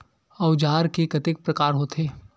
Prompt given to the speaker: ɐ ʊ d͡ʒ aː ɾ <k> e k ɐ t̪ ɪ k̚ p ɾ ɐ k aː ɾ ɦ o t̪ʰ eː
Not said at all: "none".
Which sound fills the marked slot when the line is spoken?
k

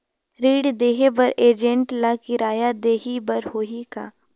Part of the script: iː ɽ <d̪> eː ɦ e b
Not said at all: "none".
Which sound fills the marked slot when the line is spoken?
d̪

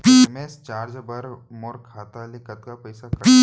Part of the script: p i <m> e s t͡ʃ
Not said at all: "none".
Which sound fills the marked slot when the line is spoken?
m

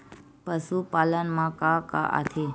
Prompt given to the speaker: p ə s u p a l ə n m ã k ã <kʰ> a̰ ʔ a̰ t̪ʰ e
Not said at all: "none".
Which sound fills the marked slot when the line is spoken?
k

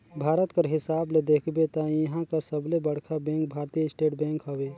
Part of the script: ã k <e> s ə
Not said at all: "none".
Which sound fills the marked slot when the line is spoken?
a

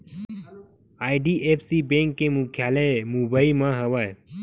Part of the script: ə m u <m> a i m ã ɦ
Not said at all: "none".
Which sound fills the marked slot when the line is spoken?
b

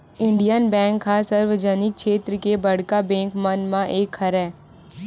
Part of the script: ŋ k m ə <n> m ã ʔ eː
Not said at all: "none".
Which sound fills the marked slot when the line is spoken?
n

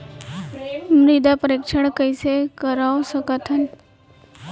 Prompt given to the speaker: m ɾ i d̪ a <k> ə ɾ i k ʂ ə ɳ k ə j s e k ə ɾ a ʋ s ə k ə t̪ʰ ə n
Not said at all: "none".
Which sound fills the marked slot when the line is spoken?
p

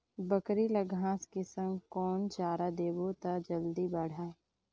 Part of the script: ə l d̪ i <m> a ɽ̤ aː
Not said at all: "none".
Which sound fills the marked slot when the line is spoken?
b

